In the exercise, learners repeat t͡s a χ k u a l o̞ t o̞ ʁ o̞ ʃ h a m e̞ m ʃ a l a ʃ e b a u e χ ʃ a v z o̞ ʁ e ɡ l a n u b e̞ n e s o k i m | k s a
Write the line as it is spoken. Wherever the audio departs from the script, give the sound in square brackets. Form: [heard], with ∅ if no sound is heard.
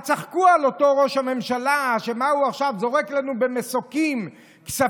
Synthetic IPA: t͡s a χ k u a l o̞ t o̞ ʁ o̞ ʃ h a m e̞ m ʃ a l a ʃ e [m] a u [a] χ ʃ a v z o̞ ʁ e [k] l a n u b e̞ [m] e s o k i m | k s a